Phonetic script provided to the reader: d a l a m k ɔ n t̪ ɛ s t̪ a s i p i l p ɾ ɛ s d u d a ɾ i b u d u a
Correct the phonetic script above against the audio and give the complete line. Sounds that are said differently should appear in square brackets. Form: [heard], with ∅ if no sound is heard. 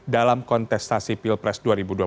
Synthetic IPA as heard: d a l a m k ɔ n t̪ ɛ s t̪ a s i p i l p ɾ ɛ s d u [∅] a ɾ i b u d u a

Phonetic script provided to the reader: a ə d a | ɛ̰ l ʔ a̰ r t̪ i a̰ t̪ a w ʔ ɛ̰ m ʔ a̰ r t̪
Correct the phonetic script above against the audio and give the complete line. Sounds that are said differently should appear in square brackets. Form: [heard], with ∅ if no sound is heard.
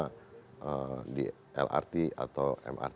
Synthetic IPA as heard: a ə d [i] | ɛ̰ l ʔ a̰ r t̪ i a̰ t̪ a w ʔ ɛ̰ m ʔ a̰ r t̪

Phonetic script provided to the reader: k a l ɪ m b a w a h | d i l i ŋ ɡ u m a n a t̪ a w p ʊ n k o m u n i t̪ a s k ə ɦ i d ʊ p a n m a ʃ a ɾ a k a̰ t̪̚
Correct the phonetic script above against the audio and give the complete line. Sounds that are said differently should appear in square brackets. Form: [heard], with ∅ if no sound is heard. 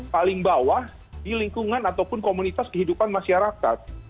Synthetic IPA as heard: [p] a l ɪ [ŋ] b a w a h | d i l i ŋ [k] u [ŋ] a n a t̪ a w p ʊ n k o m u n i t̪ a s k ə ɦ i d [u] p a n m a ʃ a ɾ a k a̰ t̪̚

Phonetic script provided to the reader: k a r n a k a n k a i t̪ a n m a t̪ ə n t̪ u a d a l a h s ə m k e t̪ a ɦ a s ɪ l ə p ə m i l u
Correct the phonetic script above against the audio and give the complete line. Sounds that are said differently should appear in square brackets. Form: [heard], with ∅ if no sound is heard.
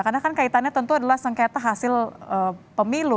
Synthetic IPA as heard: k a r n a k a n k a i t̪ a n [ɲ] a t̪ ə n t̪ u a d a l a h s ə [ŋ] k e t̪ a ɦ a s ɪ l ə p ə m i l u

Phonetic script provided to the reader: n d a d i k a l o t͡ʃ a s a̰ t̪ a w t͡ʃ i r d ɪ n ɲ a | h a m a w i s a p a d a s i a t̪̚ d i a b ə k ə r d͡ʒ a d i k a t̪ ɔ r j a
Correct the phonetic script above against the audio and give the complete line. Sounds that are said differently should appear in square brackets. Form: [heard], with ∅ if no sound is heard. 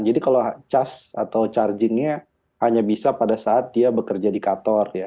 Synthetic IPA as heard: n [d͡ʒ] a d i k a l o t͡ʃ a s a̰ t̪ a w t͡ʃ [a] r [d͡ʒ] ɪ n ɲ a | h a [ɲ] a [b] i s a p a d a s [a] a t̪̚ d i a b ə k ə r d͡ʒ a d i k a t̪ ɔ r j a

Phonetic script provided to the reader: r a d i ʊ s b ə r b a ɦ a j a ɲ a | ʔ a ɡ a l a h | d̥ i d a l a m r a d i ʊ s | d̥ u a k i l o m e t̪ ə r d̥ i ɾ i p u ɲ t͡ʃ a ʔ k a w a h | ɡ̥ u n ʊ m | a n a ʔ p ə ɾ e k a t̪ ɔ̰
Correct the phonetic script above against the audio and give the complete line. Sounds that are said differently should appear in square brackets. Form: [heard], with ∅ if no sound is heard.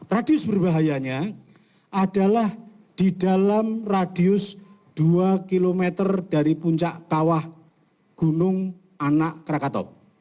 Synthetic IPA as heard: r a d i ʊ s b ə r b a ɦ a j a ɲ a | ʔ a [d] a l a h | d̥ i d a l a m r a d i ʊ s | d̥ u a k i l o m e t̪ ə r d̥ [a] ɾ i p u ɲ t͡ʃ a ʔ k a w a h | ɡ̥ u n ʊ [ŋ] | a n a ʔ [k] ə ɾ [a] k a t̪ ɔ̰

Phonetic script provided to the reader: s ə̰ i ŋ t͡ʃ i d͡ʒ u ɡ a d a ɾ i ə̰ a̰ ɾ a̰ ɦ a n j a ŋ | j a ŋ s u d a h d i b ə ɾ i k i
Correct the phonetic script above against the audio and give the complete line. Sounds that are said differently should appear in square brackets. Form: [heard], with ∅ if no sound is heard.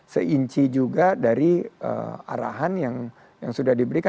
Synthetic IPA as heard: s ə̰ i [ɲ] t͡ʃ i d͡ʒ u ɡ a d a ɾ i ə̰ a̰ ɾ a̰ ɦ a n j a ŋ | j a ŋ s u d a h d i b ə ɾ i k [a]

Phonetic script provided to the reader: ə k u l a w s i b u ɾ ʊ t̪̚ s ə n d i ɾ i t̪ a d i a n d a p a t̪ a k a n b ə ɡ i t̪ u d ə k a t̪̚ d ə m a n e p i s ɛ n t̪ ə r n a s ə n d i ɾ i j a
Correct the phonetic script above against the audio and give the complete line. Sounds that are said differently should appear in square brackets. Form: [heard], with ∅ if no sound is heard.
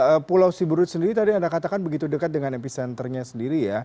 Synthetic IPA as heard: ə [p] u l a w s i b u ɾ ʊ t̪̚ s ə n d i ɾ i t̪ a d i a n d a [k] a t̪ a k a n b ə ɡ i t̪ u d ə k a t̪̚ d ə [ŋ] a n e p i s ɛ n t̪ ə r [ɲ] a s ə n d i ɾ i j a

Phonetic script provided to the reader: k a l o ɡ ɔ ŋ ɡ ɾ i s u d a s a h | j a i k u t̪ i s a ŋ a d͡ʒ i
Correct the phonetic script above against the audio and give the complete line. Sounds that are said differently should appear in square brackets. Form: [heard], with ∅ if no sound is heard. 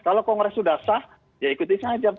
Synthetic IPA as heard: k a l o [k] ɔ ŋ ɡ ɾ [ɛ] s u d a s a h | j a i k u t̪ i s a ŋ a d͡ʒ [a]

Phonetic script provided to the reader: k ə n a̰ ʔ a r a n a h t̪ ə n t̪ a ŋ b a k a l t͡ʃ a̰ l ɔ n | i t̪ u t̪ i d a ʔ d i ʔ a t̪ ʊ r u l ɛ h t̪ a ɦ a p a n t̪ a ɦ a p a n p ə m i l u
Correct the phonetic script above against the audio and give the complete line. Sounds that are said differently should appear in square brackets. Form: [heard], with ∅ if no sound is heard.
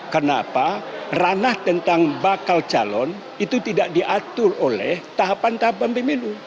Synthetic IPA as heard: k ə n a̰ [p] a r a n a h t̪ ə n t̪ a ŋ b a k a l t͡ʃ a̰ l ɔ n | i t̪ u t̪ i d a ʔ d i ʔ a t̪ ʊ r [o] l ɛ h t̪ a ɦ a p a n t̪ a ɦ a p a n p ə m i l u

